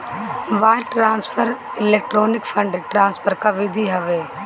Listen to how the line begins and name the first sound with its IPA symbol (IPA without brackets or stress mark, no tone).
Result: ʋ